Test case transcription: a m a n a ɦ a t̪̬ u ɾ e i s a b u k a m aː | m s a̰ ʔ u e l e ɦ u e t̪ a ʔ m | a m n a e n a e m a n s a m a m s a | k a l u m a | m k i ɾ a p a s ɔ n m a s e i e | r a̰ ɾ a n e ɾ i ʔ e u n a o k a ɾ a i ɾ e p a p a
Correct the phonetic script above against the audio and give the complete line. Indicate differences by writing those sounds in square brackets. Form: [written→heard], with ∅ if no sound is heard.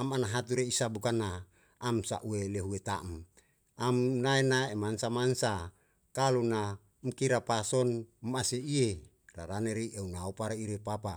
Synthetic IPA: a m a n a ɦ a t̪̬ u ɾ e i s a b u k a [m→n] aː | m s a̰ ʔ u e l e ɦ u e t̪ a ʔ m | a m n a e n a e m a n s a m a [m→n] s a | k a l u [m→n] a | m k i ɾ a p a s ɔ n m a s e i e | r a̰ ɾ a n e ɾ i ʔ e u n a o [k→p] a ɾ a i ɾ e p a p a